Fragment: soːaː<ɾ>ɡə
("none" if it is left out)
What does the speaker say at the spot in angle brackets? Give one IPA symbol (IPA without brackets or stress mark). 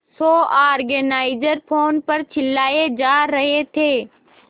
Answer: ɾ